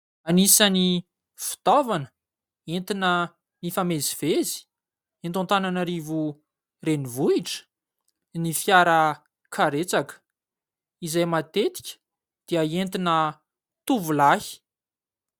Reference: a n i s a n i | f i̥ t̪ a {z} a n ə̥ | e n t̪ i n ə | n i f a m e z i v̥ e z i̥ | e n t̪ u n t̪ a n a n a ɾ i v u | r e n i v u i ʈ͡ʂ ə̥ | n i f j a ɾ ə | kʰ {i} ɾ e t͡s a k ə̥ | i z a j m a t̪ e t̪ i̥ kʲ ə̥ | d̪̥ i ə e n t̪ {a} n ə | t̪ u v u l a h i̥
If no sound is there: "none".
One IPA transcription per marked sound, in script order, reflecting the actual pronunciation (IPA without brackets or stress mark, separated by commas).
v, a, i